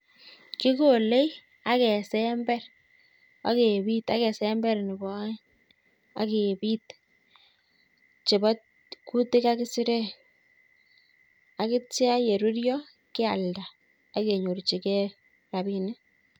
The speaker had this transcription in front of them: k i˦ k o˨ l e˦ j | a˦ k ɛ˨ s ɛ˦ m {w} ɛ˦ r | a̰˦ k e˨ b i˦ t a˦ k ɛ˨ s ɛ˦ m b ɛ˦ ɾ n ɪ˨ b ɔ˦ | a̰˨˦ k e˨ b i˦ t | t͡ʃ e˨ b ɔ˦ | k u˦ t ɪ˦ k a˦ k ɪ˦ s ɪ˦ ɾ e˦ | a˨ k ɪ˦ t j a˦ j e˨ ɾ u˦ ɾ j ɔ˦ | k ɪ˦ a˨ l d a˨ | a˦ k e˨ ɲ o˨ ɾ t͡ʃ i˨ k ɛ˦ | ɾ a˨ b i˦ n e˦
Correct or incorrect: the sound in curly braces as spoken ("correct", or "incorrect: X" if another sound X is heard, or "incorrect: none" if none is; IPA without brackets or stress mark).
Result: incorrect: b